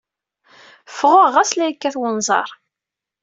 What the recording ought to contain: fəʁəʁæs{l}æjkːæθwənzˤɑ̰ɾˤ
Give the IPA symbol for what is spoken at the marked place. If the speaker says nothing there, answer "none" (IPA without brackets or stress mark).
l